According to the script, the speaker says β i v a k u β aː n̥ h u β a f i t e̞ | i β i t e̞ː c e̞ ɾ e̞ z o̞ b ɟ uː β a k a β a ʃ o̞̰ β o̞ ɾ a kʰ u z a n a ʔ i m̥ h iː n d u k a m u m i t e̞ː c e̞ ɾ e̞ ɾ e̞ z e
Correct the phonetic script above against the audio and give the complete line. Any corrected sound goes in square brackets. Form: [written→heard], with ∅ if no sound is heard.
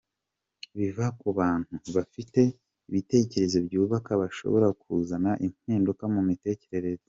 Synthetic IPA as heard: β i v a k u β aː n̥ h u β a f i t e̞ | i β i t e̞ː c e̞ ɾ e̞ z o̞ b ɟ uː β a k a β a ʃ o̞̰ β o̞ ɾ a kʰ u z a n a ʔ i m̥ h iː n d u k a m u m i t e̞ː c e̞ ɾ e̞ ɾ e̞ z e